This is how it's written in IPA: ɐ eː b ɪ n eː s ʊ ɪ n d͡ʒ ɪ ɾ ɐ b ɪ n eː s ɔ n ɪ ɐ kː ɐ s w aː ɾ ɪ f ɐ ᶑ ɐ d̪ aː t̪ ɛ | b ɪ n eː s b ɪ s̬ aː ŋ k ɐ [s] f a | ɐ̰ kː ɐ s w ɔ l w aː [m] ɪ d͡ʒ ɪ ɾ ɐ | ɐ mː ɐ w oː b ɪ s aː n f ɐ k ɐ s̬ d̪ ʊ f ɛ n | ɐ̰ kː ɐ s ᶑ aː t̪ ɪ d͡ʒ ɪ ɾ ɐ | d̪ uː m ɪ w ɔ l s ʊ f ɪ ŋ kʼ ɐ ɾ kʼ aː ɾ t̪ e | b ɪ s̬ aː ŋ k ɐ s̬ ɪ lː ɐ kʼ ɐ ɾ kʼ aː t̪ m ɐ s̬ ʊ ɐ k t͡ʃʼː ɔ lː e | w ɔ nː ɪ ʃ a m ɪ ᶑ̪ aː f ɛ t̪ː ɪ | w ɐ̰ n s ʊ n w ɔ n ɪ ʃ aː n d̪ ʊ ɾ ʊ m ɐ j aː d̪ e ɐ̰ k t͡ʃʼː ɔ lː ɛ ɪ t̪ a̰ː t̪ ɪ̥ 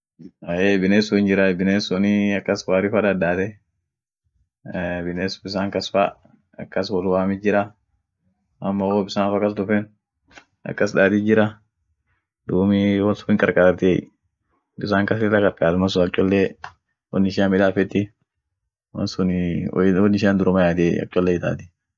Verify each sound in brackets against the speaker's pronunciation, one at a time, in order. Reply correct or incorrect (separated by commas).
correct, correct